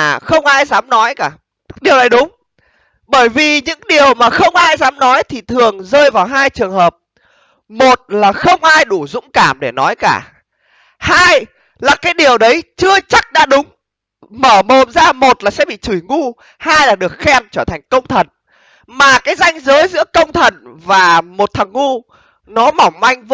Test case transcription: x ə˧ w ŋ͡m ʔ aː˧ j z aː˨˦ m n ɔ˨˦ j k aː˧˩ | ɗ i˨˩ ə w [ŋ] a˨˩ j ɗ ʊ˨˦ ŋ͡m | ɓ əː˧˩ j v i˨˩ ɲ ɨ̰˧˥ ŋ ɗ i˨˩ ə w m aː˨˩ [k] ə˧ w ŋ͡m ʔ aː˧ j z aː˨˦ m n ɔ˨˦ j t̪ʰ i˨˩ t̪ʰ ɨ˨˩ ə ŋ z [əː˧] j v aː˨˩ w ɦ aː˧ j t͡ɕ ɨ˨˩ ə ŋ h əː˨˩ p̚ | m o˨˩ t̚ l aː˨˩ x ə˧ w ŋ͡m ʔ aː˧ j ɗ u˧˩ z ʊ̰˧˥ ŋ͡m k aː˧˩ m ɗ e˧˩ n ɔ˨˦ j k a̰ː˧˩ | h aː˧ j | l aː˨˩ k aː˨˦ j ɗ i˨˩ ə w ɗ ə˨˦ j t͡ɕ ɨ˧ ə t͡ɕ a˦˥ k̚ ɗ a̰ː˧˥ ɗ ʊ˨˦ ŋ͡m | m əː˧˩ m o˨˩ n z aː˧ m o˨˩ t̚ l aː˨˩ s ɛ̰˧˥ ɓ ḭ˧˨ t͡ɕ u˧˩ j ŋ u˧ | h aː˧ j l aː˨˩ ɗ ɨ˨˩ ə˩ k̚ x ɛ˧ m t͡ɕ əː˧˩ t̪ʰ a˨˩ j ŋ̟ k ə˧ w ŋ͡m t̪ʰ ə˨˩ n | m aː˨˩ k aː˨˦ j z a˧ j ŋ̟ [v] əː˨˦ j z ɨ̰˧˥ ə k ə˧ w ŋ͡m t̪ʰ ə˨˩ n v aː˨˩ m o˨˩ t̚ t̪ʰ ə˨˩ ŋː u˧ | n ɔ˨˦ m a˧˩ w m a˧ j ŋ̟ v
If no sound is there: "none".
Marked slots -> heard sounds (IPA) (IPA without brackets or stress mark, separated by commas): n, x, əː˧, z